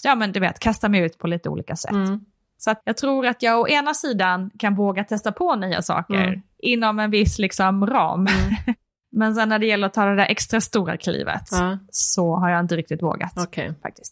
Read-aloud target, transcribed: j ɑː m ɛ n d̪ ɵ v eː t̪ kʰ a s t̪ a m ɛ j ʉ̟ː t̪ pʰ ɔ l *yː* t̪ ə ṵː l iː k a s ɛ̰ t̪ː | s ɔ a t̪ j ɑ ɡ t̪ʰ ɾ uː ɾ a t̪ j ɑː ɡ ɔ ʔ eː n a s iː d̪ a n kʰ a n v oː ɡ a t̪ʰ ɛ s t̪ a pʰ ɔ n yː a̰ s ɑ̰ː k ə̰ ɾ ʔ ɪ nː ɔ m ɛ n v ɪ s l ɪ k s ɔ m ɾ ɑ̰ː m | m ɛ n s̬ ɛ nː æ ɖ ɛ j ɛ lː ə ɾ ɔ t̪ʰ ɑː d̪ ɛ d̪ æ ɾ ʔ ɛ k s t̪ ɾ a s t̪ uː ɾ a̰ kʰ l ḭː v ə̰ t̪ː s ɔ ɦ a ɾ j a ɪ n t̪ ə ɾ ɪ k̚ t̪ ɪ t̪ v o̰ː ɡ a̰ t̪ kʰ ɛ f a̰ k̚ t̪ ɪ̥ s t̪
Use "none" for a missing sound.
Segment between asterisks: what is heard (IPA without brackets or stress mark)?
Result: iː